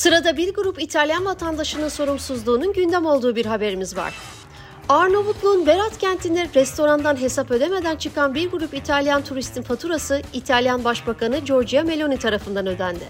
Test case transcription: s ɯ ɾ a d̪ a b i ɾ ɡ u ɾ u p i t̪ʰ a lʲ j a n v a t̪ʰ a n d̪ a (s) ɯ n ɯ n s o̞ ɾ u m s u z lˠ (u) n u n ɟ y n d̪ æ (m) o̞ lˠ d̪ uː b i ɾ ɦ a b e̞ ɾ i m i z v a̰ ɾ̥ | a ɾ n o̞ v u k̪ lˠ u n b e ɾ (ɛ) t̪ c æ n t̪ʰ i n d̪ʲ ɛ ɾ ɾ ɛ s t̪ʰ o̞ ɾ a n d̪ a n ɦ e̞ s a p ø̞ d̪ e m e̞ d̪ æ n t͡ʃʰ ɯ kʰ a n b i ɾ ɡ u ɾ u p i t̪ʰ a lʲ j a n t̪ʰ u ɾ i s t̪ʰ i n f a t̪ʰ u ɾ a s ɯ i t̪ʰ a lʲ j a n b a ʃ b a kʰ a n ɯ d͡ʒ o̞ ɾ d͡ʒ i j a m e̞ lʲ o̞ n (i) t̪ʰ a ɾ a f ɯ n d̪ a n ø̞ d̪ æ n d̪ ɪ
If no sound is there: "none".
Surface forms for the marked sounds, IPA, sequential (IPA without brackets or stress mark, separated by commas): ʃ, uː, m, a, i